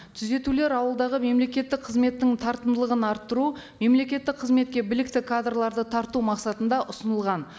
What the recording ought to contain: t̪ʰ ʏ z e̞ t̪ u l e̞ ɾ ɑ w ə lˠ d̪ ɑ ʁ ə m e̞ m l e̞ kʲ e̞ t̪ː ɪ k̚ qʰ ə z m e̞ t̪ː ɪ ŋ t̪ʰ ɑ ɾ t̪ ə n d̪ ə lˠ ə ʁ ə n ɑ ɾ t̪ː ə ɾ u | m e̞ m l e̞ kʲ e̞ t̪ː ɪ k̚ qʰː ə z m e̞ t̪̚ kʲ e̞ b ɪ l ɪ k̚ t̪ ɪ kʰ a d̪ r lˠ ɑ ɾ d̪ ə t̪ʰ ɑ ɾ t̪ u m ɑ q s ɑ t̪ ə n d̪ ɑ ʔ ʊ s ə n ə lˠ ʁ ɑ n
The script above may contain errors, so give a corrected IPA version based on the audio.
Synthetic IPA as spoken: t̪ʰ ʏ z e̞ t̪ u l e̞ ɾ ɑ w ə lˠ d̪ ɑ ʁ ə m e̞ m l e̞ kʲ e̞ t̪ː ɪ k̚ qʰ ə z m e̞ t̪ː ɪ ŋ t̪ʰ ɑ ɾ t̪ ə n d̪ ə lˠ ə ʁ ə n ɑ ɾ t̪ː ə ɾ u | m e̞ m l e̞ kʲ e̞ t̪ː ɪ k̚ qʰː ə z m e̞ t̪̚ kʲ e̞ b ɪ l ɪ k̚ t̪ ɪ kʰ a d̪ r lˠ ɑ ɾ d̪ ə t̪ʰ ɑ ɾ t̪ u m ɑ q s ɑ t̪ ə n d̪ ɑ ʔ ʊ s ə n ə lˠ ʁ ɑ n